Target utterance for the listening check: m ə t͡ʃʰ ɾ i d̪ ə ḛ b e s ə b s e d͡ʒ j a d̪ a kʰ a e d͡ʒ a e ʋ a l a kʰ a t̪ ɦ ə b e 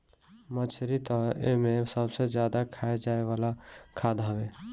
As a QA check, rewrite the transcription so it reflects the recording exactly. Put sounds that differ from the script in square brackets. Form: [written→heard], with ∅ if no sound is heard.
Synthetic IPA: m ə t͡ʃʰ ɾ i [d̪→t̪] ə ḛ [b→m] e s ə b s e d͡ʒ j a d̪ a kʰ a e d͡ʒ a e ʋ a l a kʰ a [t̪→d̪] ɦ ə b e